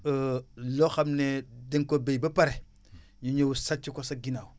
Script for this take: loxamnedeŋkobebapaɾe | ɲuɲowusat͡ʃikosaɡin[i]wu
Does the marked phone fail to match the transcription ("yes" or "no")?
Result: yes